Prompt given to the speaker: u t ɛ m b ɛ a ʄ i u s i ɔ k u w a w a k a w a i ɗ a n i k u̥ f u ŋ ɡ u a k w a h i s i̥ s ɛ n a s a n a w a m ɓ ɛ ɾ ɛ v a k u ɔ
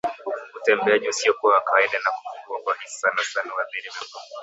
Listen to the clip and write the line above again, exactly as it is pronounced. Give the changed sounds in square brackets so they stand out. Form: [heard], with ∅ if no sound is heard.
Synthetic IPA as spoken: u t ɛ m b ɛ a ʄ i u s i ɔ k u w a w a k a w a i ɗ a n [a] k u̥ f u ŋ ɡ u a k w a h i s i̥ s [a] n a s a n a w a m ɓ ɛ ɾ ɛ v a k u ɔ

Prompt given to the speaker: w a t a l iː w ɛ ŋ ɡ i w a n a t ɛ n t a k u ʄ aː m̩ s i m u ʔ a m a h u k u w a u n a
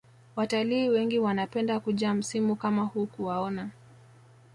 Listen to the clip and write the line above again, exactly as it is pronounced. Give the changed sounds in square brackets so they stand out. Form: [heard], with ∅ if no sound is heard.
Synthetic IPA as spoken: w a t a l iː w ɛ ŋ ɡ i w a n a [p] ɛ n [d] a k u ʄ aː m̩ s i m u [k] a m a h u k u w a [ɔ] n a

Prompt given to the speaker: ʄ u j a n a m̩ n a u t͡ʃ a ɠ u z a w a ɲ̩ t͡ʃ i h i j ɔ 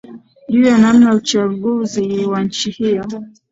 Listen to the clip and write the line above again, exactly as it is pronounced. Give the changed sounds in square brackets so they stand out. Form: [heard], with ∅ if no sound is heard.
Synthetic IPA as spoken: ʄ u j a n a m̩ n a u t͡ʃ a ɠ u z [i] w a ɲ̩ t͡ʃ i h i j ɔ

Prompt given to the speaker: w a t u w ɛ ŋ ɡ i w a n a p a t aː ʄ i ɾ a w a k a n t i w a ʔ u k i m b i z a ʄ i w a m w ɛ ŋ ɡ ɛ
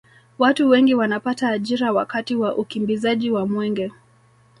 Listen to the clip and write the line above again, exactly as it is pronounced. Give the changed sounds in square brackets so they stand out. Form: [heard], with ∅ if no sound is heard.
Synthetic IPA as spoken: w a t u w ɛ ŋ ɡ i w a n a p a t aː ʄ i ɾ a w a k a [∅] t i w a ʔ u k i m b i z a ʄ i w a m w ɛ ŋ ɡ ɛ

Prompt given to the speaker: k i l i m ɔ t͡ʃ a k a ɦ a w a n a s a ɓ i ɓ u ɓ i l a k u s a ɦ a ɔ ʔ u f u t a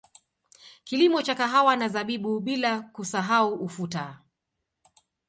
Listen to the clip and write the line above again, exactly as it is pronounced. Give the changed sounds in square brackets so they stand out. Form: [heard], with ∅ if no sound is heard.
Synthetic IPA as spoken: k i l i m ɔ t͡ʃ a k a ɦ a w a n a [z] a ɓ i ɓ u ɓ i l a k u s a ɦ a [u] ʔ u f u t a

